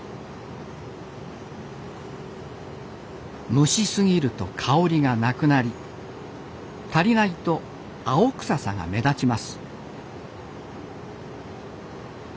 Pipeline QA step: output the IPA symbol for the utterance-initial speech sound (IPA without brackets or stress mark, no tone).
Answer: m